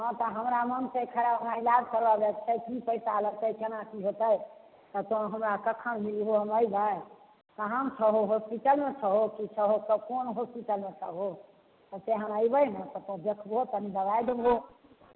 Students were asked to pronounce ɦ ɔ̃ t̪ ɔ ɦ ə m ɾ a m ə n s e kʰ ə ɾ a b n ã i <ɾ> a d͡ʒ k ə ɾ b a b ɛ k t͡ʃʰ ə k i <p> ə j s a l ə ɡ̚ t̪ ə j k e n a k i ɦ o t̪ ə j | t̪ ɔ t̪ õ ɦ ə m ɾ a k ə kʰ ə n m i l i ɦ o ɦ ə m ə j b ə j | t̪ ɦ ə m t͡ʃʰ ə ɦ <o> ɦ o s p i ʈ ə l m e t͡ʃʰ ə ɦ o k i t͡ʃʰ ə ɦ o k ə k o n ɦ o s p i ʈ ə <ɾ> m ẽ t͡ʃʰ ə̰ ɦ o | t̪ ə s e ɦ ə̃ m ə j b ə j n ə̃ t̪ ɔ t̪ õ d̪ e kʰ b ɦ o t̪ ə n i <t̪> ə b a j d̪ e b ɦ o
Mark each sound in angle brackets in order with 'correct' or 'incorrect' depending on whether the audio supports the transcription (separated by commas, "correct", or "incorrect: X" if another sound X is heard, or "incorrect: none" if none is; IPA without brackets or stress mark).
incorrect: l, correct, correct, incorrect: l, incorrect: d̪